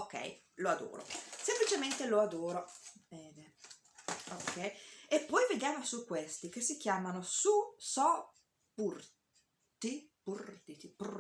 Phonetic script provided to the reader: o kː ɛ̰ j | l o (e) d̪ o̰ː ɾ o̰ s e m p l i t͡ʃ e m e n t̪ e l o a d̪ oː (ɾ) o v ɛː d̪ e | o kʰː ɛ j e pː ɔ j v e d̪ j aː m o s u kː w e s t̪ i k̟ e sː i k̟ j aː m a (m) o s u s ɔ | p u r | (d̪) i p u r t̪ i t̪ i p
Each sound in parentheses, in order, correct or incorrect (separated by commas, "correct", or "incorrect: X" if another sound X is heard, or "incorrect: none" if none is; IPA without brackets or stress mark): incorrect: a, correct, incorrect: n, incorrect: t̪